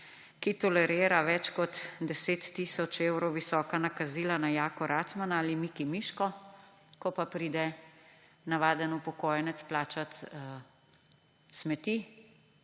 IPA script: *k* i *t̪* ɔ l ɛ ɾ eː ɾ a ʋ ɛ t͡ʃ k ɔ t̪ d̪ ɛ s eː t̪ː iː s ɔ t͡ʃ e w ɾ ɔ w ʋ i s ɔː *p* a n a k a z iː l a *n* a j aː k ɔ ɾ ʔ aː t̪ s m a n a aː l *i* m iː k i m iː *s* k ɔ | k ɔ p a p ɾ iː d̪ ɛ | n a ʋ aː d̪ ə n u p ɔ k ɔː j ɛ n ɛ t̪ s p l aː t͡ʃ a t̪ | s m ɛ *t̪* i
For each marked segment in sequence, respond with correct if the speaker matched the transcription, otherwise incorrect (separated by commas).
correct, correct, incorrect, correct, correct, incorrect, correct